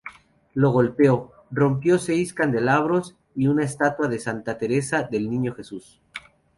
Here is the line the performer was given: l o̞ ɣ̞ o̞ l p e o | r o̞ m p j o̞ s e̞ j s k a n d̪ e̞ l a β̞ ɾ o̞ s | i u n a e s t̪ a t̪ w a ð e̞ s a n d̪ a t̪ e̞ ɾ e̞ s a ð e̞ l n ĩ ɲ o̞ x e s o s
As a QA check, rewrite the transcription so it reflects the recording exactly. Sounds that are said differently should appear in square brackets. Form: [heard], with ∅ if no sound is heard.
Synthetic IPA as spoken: l o̞ ɣ̞ o̞ l p e o | r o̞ m p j o̞ s e̞ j s k a n d̪ e̞ l a β̞ ɾ o̞ s | i u n a e s t̪ a t̪ w a ð e̞ s a n [t̪] a t̪ e̞ ɾ e̞ s a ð e̞ l n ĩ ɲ o̞ x e s [u] s